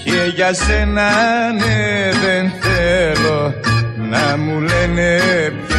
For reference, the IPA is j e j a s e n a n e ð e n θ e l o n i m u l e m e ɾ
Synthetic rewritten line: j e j a s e n a n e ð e n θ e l o n a m u l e n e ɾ